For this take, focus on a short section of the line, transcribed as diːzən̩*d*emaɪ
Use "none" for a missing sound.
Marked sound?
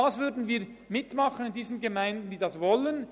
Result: ɡ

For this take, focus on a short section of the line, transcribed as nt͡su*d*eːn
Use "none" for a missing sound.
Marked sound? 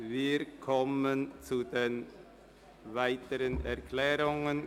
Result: d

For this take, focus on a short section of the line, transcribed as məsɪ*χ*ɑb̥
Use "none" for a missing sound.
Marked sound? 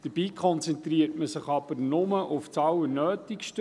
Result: χ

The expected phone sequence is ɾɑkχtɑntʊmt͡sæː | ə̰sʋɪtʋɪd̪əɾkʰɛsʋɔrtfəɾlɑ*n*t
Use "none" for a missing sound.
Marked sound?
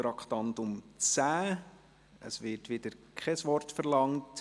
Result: ŋ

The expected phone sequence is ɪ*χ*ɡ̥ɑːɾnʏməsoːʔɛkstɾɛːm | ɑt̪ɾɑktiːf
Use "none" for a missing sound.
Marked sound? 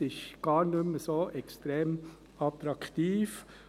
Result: ʃ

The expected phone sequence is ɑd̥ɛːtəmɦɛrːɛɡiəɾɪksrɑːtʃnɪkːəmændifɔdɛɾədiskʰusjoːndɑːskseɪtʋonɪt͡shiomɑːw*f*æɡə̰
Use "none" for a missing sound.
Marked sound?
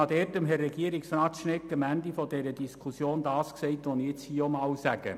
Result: s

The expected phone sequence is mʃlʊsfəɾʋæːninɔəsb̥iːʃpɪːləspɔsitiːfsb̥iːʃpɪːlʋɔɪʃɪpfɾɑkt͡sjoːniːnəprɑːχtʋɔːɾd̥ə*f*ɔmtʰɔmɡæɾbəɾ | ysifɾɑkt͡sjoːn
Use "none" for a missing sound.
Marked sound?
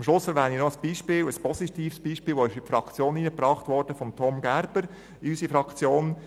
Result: f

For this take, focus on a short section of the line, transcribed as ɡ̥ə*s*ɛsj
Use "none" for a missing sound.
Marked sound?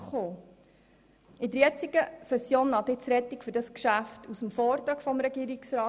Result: s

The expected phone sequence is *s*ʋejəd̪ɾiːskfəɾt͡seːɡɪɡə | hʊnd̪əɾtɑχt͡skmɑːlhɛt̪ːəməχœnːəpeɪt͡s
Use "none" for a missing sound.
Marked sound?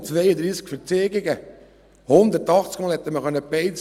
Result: t͡s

